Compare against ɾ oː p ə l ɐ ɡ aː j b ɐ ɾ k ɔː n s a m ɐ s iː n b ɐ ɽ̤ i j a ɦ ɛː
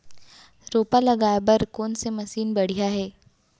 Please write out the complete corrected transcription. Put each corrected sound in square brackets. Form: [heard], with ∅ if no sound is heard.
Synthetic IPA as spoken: ɾ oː p [a] l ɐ ɡ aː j b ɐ ɾ k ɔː n s [e] m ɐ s iː n b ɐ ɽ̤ i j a ɦ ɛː